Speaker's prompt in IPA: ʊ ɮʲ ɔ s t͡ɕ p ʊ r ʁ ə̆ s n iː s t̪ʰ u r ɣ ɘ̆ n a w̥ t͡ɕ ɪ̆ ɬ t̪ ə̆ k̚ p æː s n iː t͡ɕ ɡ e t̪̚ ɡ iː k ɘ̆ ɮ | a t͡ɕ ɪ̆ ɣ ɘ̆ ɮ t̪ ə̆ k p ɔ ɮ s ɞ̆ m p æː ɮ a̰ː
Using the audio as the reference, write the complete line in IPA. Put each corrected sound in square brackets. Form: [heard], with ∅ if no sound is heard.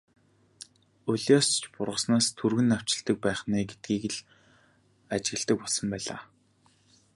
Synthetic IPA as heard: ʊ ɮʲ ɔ s t͡ɕ p ʊ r ʁ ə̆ s n [aː] s t̪ʰ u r ɣ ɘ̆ n a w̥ t͡ɕ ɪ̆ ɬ t̪ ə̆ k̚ p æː [χ] n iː [∅] ɡ e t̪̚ ɡ iː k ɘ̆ ɮ | a t͡ɕ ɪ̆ ɣ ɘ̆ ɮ t̪ ə̆ k p ɔ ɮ s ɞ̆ m p æː ɮ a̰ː